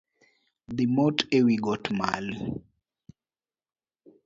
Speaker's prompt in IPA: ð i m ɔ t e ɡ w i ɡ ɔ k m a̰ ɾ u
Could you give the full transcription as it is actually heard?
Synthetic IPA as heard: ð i m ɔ t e w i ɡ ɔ t m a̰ l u